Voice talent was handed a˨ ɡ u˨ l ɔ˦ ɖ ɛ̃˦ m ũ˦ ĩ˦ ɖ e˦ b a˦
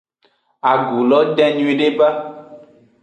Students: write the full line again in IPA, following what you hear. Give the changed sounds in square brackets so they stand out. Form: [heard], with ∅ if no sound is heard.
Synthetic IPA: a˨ ɡ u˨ l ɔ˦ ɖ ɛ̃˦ [ɲ] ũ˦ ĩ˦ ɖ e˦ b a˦

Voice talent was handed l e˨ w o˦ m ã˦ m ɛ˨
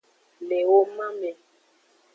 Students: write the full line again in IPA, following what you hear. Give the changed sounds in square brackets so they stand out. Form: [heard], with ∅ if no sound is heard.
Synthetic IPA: l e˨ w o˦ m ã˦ m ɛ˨

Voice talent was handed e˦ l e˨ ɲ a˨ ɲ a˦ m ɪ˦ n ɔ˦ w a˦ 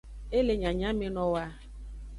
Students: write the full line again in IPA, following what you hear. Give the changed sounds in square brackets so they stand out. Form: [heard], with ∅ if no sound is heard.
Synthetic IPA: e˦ l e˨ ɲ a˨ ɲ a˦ m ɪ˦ n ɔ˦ w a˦

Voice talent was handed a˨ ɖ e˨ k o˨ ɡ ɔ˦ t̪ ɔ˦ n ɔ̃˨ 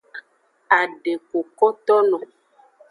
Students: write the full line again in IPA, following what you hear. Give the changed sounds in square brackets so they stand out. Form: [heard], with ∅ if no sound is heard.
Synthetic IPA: a˨ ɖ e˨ k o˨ [k] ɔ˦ t̪ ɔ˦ n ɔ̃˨

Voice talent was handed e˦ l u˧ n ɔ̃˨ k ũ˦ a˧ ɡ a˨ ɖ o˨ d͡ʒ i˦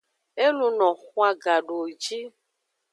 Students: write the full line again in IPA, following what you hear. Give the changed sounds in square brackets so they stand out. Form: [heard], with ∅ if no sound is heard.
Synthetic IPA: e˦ l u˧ n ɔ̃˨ [x] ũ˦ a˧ ɡ a˨ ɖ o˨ d͡ʒ i˦

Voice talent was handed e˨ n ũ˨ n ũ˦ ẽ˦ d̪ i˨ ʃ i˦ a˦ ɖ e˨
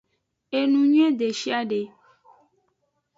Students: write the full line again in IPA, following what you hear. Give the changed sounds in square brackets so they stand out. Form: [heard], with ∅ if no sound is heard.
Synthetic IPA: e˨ n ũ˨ [ɲ] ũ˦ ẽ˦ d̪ [e˨] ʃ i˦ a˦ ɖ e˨

